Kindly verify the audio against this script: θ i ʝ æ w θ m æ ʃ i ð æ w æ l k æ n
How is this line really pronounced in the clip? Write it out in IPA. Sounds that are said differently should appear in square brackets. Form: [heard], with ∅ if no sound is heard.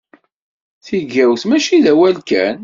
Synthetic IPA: θ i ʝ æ w θ m æ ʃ i ð æ w æ l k æ n